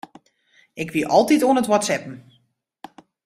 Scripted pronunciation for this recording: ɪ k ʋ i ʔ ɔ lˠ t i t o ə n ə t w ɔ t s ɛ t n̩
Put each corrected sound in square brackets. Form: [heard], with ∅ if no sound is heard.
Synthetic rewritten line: ɪ k ʋ i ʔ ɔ lˠ t i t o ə n ə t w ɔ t s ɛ [p] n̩